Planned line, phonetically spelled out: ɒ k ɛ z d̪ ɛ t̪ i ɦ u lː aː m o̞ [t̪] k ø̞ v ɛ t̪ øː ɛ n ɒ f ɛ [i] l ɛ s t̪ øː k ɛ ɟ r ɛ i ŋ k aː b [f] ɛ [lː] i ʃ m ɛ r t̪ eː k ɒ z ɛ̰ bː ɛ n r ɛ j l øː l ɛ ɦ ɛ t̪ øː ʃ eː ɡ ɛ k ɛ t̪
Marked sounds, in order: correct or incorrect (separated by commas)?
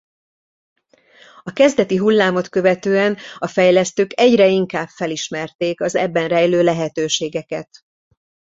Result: correct, incorrect, correct, incorrect